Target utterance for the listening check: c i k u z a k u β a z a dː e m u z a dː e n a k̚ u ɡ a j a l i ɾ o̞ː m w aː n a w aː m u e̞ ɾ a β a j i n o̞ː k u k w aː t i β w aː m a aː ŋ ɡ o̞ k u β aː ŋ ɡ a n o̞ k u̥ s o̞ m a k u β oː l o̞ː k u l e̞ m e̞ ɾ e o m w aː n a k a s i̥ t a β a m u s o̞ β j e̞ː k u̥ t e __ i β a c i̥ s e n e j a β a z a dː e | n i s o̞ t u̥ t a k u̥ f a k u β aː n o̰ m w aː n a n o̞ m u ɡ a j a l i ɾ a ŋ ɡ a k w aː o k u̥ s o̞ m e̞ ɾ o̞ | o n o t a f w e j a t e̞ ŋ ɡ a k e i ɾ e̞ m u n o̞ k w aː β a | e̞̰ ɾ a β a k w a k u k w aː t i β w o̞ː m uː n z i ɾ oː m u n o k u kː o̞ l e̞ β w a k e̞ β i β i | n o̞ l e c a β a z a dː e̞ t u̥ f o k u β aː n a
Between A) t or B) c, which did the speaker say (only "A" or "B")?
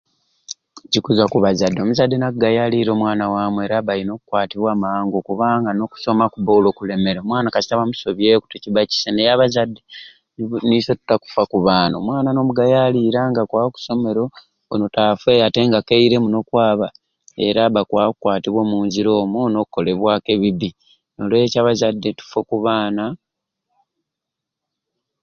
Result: B